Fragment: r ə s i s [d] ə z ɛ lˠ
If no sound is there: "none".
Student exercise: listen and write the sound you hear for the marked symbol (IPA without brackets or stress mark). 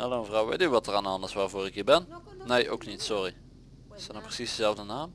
d